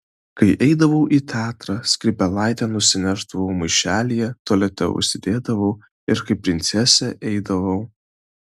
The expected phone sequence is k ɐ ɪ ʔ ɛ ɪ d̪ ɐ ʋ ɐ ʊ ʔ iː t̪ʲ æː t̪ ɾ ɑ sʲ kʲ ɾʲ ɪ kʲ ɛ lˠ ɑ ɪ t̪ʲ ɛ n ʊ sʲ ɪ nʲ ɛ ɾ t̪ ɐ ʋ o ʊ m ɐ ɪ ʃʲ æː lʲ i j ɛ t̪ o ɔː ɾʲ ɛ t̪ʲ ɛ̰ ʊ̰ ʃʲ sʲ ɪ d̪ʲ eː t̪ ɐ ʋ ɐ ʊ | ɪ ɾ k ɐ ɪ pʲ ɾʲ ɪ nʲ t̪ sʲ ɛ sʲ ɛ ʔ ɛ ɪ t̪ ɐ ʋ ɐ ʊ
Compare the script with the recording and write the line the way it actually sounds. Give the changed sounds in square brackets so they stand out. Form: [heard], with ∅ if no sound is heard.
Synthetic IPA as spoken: k ɐ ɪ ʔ ɛ ɪ d̪ ɐ ʋ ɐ ʊ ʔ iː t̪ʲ æː t̪ ɾ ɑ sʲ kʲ ɾʲ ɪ [pʲ] ɛ lˠ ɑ ɪ t̪ʲ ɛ n ʊ sʲ ɪ nʲ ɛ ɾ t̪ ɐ ʋ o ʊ m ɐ ɪ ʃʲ æː lʲ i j ɛ t̪ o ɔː [lʲ] ɛ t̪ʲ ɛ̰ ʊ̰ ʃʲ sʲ ɪ d̪ʲ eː [d̪] ɐ ʋ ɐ ʊ | ɪ ɾ k ɐ ɪ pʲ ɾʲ ɪ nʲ t̪ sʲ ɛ sʲ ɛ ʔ ɛ ɪ [d̪] ɐ ʋ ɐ ʊ